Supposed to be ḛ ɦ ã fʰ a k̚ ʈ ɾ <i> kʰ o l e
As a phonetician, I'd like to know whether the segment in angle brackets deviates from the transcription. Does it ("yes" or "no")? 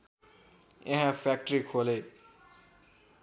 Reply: no